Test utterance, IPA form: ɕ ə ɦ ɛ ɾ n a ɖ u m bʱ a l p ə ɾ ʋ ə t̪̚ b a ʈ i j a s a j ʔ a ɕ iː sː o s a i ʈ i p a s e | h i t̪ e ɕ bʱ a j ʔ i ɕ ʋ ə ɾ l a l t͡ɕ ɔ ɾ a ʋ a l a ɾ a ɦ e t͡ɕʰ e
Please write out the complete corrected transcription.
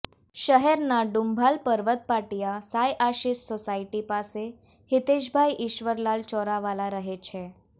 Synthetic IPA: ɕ ə ɦ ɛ ɾ n a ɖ u m bʱ a l p ə ɾ ʋ ə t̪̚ p a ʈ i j a s a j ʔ a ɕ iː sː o s a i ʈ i p a s e | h i t̪ e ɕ bʱ a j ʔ i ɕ ʋ ə ɾ l a l t͡ɕ ɔ ɾ a ʋ a l a ɾ ə ɦ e t͡ɕʰ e